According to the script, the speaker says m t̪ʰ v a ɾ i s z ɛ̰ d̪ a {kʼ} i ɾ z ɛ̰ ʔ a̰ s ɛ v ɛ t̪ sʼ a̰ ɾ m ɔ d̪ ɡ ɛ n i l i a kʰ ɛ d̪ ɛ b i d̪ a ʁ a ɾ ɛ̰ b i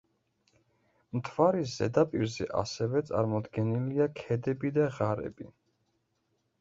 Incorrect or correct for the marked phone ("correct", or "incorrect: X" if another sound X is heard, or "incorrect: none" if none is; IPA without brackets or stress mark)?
incorrect: pʼ